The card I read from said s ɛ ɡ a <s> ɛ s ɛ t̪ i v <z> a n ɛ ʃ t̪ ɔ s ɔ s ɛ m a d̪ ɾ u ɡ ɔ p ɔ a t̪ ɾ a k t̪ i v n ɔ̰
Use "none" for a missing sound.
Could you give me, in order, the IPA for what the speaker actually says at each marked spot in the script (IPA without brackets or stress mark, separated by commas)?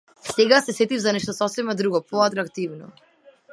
s, z